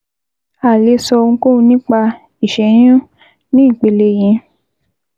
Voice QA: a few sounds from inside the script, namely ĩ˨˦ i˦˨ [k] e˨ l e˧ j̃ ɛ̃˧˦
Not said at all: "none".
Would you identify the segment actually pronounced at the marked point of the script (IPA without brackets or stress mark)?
k͡p